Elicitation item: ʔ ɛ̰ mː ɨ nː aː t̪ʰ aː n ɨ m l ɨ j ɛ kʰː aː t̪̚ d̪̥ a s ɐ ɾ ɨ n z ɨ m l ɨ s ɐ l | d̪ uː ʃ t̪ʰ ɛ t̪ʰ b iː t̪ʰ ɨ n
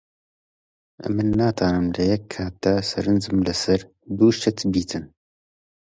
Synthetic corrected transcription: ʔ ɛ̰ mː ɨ nː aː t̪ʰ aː n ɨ m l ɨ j ɛ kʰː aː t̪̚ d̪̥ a s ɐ ɾ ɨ n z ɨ m l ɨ s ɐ ɾ | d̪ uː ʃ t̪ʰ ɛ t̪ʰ b iː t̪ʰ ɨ n